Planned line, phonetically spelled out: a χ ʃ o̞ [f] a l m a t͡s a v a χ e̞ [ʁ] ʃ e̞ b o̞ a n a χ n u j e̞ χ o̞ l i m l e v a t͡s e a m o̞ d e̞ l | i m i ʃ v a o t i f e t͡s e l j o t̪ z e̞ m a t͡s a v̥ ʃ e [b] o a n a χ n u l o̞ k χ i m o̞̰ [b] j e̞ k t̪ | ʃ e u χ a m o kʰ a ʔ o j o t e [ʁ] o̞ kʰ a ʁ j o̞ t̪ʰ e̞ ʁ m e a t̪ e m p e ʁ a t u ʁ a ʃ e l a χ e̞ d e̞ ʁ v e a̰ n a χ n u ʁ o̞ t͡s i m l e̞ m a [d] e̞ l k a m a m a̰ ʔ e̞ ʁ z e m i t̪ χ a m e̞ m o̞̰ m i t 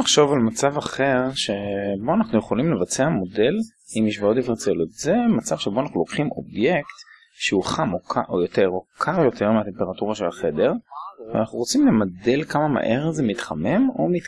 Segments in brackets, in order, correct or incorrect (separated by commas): incorrect, correct, correct, correct, correct, correct